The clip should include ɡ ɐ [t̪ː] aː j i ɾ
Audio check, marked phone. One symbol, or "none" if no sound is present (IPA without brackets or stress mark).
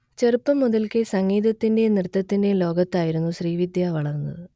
t̪ː